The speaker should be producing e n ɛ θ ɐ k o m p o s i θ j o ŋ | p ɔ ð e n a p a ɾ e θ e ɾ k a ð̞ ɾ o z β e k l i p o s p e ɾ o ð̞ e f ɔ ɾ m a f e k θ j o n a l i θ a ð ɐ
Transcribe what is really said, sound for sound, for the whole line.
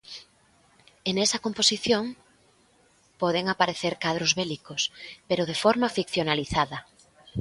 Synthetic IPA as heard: e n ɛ s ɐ k o m p o s i θ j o ŋ | p ɔ ð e ŋ a p a ɾ e θ e ɾ k a ð̞ ɾ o z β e l i k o s p e ɾ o ð̞ e f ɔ ɾ m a f i k θ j o n a l i θ a ð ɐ